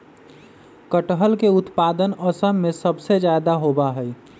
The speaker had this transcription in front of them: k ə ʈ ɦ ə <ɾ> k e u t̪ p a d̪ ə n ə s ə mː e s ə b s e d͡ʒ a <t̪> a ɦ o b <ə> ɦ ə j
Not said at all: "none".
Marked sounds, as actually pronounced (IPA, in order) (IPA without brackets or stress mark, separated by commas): l, d̪, a